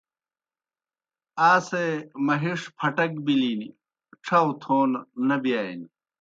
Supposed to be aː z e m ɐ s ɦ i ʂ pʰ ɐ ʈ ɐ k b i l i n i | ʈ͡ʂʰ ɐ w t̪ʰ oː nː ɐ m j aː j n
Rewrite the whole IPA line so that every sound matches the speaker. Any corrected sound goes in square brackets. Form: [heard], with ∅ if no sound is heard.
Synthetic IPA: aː [s] e m ɐ [∅] ɦ i ʂ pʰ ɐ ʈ ɐ k b i l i n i | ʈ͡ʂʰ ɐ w t̪ʰ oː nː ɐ [b] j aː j n